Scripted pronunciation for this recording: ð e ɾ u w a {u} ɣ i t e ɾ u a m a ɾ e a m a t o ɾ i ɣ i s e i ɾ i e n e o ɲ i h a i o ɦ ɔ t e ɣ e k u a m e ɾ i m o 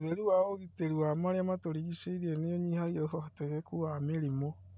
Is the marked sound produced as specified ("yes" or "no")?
no